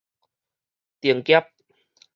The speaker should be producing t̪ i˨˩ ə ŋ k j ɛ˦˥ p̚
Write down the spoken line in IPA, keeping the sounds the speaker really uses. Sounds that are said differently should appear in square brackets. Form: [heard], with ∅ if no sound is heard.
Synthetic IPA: t̪ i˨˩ ə ŋ k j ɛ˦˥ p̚